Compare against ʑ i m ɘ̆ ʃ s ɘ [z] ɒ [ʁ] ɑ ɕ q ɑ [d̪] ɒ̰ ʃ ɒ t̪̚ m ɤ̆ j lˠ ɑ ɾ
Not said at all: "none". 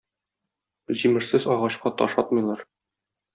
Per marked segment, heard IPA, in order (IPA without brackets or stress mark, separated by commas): z, ʁ, t̪